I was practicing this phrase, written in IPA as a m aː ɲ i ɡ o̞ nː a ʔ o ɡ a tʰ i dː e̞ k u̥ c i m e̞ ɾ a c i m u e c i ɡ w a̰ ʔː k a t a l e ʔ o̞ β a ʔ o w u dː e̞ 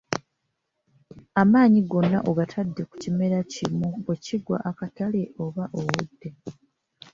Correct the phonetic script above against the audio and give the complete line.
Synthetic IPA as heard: a m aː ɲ i ɡ o̞ nː a ʔ o ɡ a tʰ a dː e̞ k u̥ c i m e̞ ɾ a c i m u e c i ɡ w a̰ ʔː k a t a l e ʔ o̞ β a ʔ o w u dː e̞